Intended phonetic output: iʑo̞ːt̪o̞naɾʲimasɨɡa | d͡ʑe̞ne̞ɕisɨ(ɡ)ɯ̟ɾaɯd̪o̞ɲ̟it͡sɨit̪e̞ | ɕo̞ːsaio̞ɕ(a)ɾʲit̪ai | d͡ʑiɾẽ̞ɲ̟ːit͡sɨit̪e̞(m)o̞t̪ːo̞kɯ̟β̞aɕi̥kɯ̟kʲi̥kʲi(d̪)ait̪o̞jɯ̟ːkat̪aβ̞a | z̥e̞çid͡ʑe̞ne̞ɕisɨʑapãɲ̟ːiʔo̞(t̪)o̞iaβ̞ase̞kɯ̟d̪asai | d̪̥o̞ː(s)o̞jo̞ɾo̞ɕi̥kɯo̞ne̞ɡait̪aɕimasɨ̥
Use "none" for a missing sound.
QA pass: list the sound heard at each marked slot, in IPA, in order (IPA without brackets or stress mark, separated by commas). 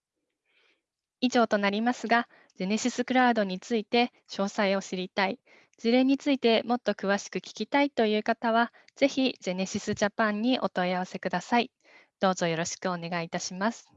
k, i, m, t̪, t̪, z